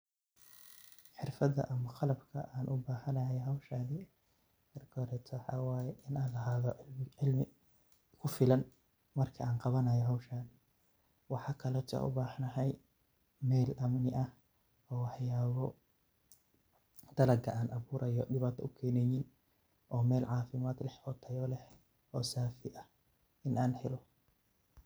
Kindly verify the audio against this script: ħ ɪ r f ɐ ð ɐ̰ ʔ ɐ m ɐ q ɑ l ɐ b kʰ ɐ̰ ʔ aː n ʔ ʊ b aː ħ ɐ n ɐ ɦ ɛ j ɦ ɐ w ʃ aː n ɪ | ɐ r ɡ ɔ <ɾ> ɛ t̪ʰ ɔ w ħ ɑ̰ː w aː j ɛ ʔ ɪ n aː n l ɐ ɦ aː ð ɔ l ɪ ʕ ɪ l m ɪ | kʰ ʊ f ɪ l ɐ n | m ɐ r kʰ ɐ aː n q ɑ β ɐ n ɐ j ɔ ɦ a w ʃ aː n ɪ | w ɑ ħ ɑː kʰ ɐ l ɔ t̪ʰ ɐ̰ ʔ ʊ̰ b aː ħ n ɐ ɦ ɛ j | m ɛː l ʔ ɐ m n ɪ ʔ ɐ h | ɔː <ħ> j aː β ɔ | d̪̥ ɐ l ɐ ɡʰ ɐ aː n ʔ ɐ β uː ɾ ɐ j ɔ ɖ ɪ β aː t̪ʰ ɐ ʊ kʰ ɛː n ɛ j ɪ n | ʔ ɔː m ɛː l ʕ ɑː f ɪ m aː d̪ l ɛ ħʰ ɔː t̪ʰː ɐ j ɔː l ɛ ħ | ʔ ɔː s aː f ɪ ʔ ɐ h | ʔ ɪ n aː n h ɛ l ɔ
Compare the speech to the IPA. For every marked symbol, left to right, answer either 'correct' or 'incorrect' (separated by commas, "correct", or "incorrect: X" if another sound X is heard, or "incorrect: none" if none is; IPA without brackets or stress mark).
correct, correct